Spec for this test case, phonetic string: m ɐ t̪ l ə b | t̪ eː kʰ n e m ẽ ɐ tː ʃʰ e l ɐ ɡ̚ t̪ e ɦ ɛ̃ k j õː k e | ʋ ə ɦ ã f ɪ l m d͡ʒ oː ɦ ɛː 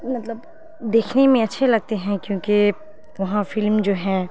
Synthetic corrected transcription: m ɐ t̪ l ə b | d̪ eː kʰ n e m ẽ ɐ tː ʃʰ e l ɐ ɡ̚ t̪ e ɦ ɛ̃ k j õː k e | ʋ ɐ ɦ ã f ɪ l m d͡ʒ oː ɦ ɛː